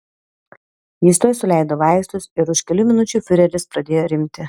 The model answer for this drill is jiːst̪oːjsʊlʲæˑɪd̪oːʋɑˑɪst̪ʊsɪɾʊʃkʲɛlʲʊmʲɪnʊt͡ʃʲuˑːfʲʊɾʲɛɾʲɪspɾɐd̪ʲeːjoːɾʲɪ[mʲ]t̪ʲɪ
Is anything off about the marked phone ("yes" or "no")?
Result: no